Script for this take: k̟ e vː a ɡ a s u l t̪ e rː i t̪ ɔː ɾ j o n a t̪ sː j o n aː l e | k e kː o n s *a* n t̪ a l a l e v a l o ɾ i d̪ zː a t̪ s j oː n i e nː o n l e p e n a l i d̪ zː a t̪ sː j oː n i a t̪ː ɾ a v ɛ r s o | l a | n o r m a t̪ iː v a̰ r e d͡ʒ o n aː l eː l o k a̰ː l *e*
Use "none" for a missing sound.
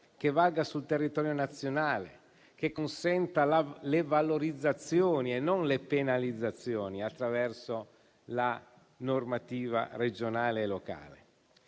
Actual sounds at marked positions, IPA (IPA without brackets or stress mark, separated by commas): ɛ, e